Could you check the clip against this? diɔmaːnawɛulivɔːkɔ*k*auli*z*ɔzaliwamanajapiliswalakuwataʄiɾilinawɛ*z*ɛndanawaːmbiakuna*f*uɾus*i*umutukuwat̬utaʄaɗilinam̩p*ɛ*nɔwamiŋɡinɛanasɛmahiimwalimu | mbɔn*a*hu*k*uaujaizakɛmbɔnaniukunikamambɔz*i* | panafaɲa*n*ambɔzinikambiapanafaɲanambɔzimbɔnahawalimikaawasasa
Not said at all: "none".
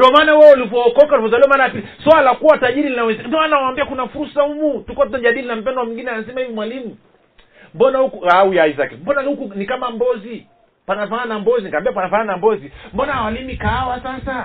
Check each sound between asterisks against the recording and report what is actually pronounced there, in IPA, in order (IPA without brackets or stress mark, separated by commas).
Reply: k, v, z, f, a, ɛ, a, k, i, n